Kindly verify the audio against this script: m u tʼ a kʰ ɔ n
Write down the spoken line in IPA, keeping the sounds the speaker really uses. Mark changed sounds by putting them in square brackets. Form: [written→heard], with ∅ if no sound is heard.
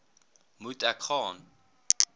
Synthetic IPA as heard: m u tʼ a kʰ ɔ n